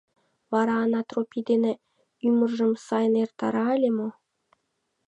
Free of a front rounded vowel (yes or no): no